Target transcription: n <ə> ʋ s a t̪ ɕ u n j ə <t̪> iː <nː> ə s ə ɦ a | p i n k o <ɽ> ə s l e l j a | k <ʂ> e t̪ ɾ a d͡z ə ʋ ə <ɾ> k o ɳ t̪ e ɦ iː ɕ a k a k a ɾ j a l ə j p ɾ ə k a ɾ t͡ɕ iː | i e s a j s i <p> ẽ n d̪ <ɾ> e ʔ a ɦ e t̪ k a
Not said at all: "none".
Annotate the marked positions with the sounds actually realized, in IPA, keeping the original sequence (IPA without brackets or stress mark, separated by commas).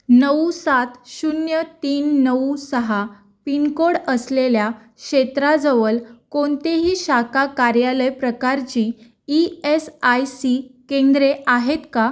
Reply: ə, t̪, nː, ɽ, ɕ, l, k, ɾ